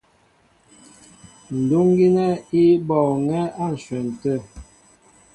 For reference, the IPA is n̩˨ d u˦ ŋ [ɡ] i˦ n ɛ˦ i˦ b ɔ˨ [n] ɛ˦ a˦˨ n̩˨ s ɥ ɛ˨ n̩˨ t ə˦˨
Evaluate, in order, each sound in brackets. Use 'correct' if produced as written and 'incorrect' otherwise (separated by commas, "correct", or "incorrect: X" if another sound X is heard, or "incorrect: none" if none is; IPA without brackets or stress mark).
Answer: correct, incorrect: ŋ